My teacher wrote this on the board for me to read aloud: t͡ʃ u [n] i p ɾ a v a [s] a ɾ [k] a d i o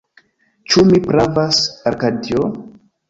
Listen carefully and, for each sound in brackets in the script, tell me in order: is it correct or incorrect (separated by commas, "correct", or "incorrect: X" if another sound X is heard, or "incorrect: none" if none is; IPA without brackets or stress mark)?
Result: incorrect: m, correct, correct